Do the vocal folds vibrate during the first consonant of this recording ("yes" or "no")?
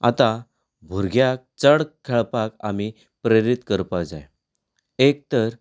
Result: no